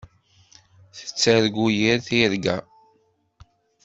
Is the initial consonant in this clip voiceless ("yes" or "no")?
yes